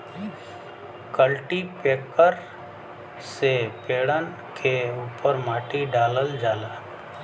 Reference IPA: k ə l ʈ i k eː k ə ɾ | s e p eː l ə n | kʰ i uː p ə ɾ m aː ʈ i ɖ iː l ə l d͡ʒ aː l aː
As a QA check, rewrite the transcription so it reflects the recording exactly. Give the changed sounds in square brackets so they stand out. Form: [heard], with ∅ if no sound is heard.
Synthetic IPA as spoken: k ə l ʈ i [p] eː k ə ɾ | s e p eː [ɽ] ə n | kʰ [e] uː p ə ɾ m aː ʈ i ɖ [aː] l ə l d͡ʒ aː l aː